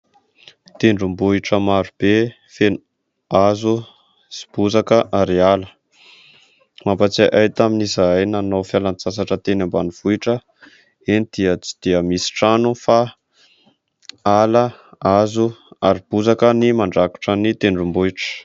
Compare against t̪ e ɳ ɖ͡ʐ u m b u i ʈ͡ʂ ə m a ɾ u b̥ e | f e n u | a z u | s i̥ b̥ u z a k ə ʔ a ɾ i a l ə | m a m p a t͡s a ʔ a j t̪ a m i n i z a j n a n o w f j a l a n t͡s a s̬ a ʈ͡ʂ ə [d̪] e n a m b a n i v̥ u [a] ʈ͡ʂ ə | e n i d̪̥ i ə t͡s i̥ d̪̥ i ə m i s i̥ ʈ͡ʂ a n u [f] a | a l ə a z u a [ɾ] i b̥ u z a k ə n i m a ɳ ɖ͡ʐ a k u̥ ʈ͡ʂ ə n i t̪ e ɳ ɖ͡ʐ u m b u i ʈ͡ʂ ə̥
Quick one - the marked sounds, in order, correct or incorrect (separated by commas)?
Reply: incorrect, incorrect, correct, correct